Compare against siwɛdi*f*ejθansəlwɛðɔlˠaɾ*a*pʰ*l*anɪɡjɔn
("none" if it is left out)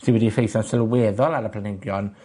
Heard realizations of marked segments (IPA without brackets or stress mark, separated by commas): f, ə, l